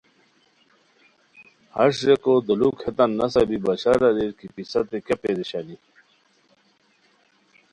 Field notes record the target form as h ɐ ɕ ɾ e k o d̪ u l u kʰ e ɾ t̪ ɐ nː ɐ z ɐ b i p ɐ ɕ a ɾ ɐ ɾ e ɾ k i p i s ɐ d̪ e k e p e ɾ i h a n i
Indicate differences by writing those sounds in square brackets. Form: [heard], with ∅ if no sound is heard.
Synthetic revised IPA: h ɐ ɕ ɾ e k o d̪ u l u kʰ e [∅] t̪ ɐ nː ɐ [s] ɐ b i [b] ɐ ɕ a ɾ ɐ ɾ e ɾ k i p i s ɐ [t̪] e k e p e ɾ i [ɕ] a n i